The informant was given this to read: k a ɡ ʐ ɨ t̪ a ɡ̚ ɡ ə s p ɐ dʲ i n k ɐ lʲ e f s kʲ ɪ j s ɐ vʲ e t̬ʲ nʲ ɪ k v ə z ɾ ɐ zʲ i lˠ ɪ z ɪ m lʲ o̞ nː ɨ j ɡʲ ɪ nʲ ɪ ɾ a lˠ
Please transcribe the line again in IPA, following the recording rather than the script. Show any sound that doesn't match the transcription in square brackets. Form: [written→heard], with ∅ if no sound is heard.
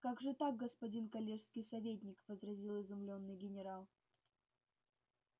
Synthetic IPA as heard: k a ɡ ʐ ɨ t̪ a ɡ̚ ɡ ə s p ɐ dʲ i n k ɐ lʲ e [f→ʂ] s kʲ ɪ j s ɐ vʲ e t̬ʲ nʲ ɪ k v ə z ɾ ɐ zʲ i lˠ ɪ z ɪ m lʲ o̞ nː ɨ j ɡʲ ɪ nʲ ɪ ɾ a lˠ